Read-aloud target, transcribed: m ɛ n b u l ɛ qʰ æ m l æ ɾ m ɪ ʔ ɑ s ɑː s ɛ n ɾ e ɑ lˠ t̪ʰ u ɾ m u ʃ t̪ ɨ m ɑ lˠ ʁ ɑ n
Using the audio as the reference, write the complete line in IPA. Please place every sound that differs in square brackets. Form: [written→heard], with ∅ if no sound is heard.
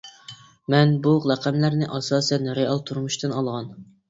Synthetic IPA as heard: m ɛ n b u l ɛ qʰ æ m l æ ɾ [m→n] ɪ ʔ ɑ s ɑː s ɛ n ɾ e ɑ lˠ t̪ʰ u ɾ m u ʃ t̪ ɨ [m→n] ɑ lˠ ʁ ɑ n